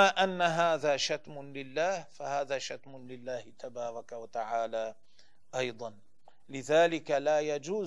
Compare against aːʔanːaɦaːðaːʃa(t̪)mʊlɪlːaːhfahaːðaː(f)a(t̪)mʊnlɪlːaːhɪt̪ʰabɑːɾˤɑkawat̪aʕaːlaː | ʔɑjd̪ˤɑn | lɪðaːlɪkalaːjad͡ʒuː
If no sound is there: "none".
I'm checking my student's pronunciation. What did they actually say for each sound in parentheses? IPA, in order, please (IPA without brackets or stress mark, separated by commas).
t̪, ʃ, t̪